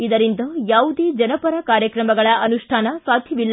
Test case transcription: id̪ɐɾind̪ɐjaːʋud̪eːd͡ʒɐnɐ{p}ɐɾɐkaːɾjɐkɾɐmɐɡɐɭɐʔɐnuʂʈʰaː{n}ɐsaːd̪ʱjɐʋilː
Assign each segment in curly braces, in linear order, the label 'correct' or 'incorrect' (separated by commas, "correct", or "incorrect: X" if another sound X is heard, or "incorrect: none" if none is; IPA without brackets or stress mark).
correct, correct